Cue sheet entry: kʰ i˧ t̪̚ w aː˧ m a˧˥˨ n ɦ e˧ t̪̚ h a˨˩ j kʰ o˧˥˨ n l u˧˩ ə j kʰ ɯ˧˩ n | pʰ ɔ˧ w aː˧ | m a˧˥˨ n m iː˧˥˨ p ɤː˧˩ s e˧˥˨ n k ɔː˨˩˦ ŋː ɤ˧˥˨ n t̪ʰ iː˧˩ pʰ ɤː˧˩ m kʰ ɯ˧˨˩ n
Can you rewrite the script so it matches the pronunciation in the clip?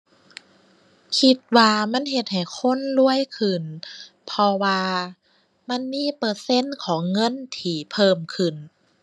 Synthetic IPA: kʰ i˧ t̪̚ w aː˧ m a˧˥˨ n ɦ e˧ t̪̚ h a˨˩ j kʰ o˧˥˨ n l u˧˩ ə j kʰ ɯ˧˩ n | pʰ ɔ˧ w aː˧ | m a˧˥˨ n m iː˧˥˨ p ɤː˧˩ s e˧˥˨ n kʰ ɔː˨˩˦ ŋː ɤ˧˥˨ n t̪ʰ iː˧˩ pʰ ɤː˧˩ m kʰ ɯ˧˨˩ n